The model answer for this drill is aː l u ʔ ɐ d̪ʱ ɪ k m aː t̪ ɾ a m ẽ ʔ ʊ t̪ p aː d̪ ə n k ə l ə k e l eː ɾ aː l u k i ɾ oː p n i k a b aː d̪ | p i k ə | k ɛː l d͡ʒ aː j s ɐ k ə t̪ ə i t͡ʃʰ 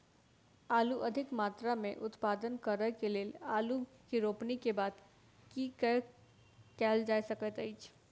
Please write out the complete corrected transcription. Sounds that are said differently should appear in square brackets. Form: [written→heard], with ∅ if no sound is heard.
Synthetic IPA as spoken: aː l u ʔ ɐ d̪ʱ ɪ k m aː t̪ ɾ a m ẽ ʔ ʊ t̪ p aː d̪ ə n k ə [l→ɾ] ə k e l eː [ɾ→l] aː l u k i ɾ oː p n i k [a→e] b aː d̪ | [p→k] i k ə | k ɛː l d͡ʒ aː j s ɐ k ə t̪ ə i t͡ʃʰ